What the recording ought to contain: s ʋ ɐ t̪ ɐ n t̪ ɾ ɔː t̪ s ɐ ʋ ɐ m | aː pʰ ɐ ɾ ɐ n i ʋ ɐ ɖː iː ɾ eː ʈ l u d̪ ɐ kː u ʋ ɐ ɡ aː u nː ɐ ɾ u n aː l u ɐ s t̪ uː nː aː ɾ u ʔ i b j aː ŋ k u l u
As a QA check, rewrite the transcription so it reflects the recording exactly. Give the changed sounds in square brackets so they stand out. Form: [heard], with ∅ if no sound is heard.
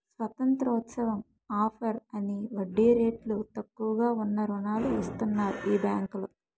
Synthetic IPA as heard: s ʋ ɐ t̪ ɐ n t̪ ɾ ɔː t̪ s ɐ ʋ ɐ m | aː pʰ ɐ ɾ ɐ n i ʋ ɐ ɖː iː ɾ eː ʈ l u [t̪] ɐ kː u ʋ ɐ ɡ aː u nː ɐ ɾ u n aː l u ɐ s t̪ [u] nː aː ɾ u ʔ [iː] b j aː ŋ k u l u